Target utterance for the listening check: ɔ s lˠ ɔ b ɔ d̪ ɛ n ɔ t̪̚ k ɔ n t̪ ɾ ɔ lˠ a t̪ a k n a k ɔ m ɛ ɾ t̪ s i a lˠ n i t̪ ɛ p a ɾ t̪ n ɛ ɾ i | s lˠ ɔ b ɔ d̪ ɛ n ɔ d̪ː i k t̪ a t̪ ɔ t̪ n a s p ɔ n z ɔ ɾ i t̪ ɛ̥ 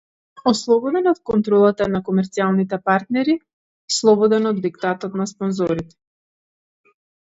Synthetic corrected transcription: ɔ s lˠ ɔ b ɔ d̪ ɛ n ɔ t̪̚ k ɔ n t̪ ɾ ɔ lˠ a t̪ a n a k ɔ m ɛ ɾ t̪ s i a lˠ n i t̪ ɛ p a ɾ t̪ n ɛ ɾ i | s lˠ ɔ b ɔ d̪ ɛ n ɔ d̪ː i k t̪ a t̪ ɔ t̪ n a s p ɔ n z ɔ ɾ i t̪ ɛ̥